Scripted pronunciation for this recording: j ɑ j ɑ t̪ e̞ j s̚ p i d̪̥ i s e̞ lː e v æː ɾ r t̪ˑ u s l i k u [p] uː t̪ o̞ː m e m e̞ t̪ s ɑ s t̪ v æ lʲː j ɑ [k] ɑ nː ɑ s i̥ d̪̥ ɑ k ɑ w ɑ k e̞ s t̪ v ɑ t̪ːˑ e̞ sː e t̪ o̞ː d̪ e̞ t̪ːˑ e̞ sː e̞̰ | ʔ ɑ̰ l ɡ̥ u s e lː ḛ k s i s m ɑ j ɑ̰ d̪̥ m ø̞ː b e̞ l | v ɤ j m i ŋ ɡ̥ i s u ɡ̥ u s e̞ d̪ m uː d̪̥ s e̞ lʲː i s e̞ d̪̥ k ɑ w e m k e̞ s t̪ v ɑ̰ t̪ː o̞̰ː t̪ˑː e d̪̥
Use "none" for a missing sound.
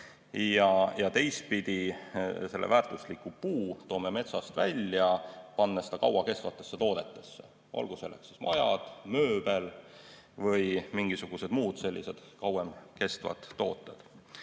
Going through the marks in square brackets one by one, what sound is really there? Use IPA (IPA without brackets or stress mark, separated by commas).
p, p